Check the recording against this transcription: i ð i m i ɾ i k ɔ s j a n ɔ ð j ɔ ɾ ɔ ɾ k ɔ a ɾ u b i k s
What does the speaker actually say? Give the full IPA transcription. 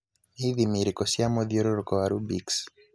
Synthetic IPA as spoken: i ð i m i ɾ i k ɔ s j a m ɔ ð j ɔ ɾ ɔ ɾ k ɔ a ɾ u b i k s